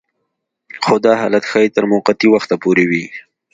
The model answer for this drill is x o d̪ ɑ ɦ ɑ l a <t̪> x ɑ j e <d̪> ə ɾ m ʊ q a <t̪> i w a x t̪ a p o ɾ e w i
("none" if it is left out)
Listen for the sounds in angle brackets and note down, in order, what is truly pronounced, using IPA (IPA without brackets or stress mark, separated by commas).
t̪, t̪, t̪